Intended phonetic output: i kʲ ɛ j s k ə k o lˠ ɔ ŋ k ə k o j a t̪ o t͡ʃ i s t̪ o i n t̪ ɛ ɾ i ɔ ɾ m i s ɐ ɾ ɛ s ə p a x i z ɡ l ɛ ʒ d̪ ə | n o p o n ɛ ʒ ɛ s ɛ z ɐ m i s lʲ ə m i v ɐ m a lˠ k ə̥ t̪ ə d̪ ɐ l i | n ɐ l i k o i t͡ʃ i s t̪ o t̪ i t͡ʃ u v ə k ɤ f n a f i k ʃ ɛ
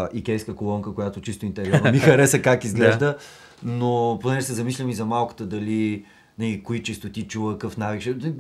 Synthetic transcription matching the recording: i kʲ ɛ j s k ə k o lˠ ɔ ŋ k ə k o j a t̪ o t͡ʃ i s t̪ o i n t̪ ɛ ɾ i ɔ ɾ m i x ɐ ɾ ɛ s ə k a k i z ɡ l ɛ ʒ d̪ ə | n o p o n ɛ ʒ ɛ s ɛ z ɐ m i s lʲ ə m i z ɐ m a lˠ k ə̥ t̪ ə d̪ ɐ l i | n ɐ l i k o i t͡ʃ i s t̪ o t̪ i t͡ʃ u v ə k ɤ f n a v i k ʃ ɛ